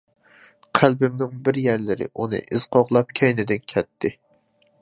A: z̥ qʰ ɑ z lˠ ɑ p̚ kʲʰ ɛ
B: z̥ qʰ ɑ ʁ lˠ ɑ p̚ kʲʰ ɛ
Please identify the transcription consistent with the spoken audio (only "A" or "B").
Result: B